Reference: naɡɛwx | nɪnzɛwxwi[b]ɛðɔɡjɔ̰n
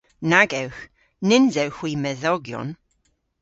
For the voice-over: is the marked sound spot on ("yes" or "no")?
no